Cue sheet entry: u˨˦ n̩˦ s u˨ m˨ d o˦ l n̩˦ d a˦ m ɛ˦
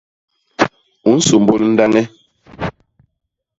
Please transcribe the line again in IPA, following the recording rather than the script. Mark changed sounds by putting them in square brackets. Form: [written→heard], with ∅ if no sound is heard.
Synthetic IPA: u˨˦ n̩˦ s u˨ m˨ [d→b] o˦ l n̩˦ d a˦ [m→ŋ] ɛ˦